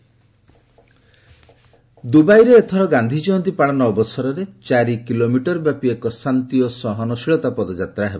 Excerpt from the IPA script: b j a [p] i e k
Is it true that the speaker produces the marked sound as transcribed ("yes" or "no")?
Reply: yes